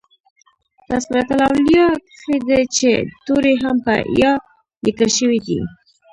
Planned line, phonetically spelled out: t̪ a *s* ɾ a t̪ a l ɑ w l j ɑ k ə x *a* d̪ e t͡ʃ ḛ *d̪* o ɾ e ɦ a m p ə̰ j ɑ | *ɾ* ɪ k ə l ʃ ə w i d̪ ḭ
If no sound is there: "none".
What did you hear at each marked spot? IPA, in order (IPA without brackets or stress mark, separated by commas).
s, e, t̪, l